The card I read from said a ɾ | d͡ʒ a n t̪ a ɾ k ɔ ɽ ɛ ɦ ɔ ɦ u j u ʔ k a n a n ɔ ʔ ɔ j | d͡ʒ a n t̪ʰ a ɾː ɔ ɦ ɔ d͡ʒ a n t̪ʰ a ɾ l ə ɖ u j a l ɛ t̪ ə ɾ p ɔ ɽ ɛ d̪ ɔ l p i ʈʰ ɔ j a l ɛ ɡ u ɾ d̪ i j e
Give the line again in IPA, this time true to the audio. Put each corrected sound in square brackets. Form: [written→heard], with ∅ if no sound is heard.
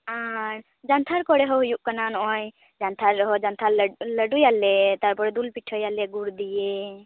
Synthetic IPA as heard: a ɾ | d͡ʒ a n [t̪→t̪ʰ] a ɾ k ɔ ɽ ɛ ɦ ɔ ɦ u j u ʔ k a n a n ɔ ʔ ɔ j | d͡ʒ a n t̪ʰ a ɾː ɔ ɦ ɔ d͡ʒ a n t̪ʰ a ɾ l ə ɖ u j a l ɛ t̪ [ə→a] ɾ p ɔ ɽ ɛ d̪ [ɔ→u] l p i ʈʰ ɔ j a l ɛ ɡ u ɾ d̪ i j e